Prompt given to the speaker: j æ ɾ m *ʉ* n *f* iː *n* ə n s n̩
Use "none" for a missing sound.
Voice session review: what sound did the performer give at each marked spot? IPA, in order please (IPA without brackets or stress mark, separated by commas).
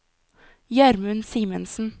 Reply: ʉ, s, m